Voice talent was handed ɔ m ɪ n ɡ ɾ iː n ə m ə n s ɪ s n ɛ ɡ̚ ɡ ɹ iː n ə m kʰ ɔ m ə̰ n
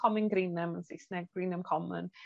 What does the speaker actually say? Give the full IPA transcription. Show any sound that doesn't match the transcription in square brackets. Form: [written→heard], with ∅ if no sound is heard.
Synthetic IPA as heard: ɔ m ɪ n ɡ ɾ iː n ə m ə n s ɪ s n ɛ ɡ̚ ɡ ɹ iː n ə m kʰ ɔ m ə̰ n